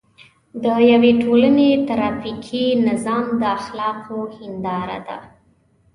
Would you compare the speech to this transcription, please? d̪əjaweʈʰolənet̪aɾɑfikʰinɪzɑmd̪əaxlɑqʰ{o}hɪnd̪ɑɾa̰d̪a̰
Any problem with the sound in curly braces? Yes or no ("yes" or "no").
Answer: no